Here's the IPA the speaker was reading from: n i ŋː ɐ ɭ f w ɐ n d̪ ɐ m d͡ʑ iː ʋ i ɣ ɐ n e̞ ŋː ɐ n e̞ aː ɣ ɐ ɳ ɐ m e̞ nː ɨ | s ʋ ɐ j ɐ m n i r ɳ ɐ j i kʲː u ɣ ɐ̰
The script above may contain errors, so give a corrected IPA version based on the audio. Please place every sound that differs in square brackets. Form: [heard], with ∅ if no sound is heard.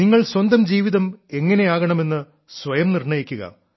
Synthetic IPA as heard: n i ŋː ɐ ɭ [s] w ɐ n d̪ ɐ m d͡ʑ iː ʋ i [ð] ɐ [m] e̞ ŋː ɐ n e̞ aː ɣ ɐ ɳ ɐ m e̞ nː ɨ | s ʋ ɐ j ɐ m n i r ɳ ɐ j i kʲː u ɣ ɐ̰